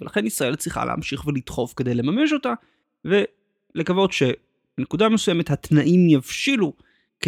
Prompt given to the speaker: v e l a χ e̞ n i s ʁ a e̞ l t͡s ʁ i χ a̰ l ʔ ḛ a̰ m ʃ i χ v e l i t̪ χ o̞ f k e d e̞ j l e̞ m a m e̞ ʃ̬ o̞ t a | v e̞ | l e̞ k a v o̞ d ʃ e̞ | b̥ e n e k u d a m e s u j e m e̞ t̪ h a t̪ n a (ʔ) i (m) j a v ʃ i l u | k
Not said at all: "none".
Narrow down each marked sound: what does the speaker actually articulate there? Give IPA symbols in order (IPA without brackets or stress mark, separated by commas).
ʔ, m